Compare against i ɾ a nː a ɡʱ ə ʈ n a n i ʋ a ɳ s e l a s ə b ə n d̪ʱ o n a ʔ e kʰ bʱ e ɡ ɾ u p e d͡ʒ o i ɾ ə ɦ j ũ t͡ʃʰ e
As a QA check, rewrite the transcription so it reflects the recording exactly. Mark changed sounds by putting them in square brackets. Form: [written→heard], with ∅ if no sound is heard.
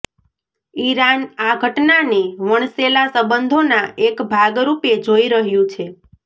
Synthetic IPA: i ɾ a [nː→n] a ɡʱ ə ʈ n a n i ʋ [a→ə] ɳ s e l a s ə b ə n d̪ʱ o n a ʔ e [kʰ→k] bʱ [e→a] ɡ ɾ u p e d͡ʒ o i ɾ ə ɦ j ũ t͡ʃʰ e

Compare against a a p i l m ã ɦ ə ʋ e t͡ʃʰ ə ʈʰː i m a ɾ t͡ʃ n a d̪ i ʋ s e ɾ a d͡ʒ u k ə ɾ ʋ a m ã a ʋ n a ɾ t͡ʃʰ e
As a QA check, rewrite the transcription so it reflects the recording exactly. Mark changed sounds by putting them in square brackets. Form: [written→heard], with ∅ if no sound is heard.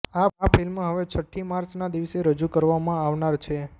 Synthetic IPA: a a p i l m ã ɦ ə ʋ e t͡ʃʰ ə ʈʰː i m a ɾ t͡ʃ n a d̪ i ʋ s e ɾ [a→ə] d͡ʒ u k ə ɾ ʋ a m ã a ʋ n a ɾ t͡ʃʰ e

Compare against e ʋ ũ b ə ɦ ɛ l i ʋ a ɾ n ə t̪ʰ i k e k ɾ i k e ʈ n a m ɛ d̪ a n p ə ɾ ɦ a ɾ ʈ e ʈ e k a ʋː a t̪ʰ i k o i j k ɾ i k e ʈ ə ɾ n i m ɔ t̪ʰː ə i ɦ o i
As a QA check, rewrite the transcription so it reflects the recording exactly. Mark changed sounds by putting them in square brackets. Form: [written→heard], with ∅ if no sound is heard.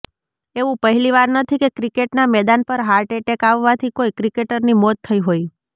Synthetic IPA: e ʋ ũ [b→p] ə ɦ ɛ l i ʋ a ɾ n ə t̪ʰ i k e k ɾ i k e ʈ n a m ɛ d̪ a n p ə ɾ ɦ a ɾ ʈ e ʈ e k a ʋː a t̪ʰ i k o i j k ɾ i k e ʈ ə ɾ n i m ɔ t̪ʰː ə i ɦ o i

